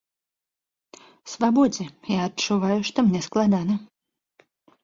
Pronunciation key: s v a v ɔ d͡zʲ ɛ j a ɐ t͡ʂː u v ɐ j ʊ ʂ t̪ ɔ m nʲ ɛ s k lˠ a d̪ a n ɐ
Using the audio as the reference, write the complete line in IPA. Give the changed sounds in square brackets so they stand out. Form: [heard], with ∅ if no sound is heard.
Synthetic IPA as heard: s v a [b] ɔ d͡zʲ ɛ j a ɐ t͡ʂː u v [a] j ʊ ʂ t̪ ɔ m nʲ ɛ s k lˠ a d̪ a n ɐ